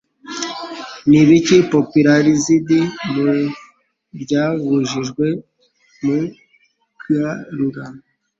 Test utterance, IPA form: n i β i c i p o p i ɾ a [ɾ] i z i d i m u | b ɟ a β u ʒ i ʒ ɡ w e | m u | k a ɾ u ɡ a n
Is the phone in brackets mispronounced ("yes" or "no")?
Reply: no